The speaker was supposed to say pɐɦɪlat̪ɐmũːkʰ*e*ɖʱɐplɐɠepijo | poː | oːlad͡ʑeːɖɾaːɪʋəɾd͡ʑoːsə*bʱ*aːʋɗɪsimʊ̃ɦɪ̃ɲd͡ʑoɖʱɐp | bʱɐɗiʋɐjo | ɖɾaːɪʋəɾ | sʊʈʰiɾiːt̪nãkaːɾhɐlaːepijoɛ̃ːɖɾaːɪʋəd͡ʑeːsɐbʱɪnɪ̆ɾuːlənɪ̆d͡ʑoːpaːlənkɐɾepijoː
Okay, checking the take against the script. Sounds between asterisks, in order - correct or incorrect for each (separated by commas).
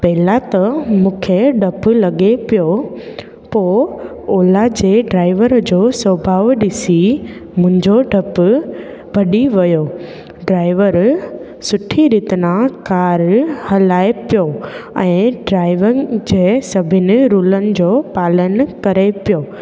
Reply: correct, correct